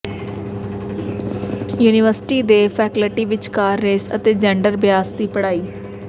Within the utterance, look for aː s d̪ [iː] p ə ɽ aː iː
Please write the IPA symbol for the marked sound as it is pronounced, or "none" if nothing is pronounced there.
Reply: iː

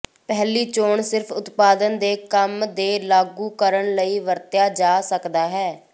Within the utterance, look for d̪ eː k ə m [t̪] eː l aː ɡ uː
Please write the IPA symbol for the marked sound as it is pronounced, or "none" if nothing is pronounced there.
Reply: d̪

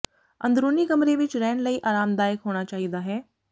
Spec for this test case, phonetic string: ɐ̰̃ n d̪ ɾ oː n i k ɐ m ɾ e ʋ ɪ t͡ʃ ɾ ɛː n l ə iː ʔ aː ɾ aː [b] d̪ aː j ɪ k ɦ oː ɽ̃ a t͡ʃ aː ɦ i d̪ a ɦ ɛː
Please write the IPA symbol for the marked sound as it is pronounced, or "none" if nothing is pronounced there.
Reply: m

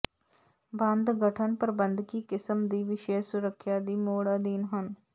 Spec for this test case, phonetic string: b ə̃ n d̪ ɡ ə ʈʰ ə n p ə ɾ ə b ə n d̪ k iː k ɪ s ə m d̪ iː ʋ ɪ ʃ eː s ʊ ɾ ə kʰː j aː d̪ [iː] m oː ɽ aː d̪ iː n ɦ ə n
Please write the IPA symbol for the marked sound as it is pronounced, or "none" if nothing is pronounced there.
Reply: iː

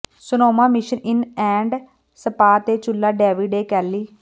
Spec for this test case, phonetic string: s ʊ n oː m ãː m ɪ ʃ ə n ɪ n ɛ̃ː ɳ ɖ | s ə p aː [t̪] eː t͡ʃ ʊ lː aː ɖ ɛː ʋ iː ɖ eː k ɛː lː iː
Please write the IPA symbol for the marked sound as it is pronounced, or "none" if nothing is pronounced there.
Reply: t̪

